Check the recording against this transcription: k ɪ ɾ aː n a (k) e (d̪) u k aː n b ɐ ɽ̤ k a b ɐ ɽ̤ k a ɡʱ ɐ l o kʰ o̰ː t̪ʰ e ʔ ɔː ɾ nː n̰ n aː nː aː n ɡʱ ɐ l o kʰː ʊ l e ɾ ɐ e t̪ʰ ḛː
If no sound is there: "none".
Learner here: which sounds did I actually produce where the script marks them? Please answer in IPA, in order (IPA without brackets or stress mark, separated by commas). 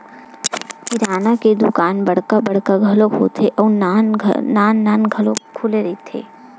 k, d̪